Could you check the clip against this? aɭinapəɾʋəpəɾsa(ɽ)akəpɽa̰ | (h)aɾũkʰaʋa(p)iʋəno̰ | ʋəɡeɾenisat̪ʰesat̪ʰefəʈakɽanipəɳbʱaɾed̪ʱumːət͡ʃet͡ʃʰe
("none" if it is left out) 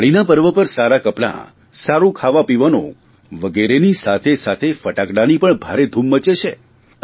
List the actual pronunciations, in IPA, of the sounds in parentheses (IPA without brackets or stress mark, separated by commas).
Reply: ɾ, s, p